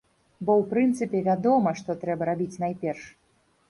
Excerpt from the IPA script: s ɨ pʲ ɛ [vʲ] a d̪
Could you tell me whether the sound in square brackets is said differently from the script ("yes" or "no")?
no